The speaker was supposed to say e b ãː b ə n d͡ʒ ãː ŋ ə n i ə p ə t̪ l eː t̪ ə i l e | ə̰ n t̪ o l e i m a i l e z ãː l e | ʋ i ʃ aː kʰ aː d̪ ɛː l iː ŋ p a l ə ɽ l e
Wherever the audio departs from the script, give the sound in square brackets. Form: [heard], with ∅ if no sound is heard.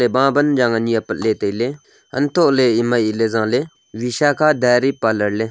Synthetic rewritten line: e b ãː b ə n d͡ʒ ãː ŋ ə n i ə p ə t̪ l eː t̪ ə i l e | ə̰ n t̪ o l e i m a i l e z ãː l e | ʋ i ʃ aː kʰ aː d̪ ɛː [ɾ] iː [∅] p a l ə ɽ l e